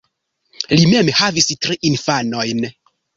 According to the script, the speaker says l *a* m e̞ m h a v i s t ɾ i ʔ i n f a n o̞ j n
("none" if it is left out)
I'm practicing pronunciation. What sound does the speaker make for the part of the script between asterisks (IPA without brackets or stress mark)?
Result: i